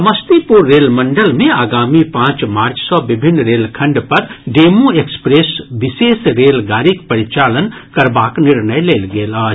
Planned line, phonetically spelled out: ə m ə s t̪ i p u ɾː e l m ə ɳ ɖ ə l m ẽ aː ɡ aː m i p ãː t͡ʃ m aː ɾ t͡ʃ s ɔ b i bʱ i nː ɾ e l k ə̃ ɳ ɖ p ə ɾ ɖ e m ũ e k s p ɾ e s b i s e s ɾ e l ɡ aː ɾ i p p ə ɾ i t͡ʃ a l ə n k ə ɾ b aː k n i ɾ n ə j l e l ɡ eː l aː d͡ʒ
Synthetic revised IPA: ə m ə s t̪ i p u ɾː e l m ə ɳ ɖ ə l m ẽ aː ɡ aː m i p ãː t͡ʃ m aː ɾ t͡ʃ s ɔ b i bʱ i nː ɾ e l kʰ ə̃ ɳ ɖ p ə ɾ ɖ e m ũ e k s p ɾ e s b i s e s ɾ e l ɡ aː ɾ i k p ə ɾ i t͡ʃ a l ə n k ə ɾ b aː k n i ɾ n ə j l e l ɡ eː l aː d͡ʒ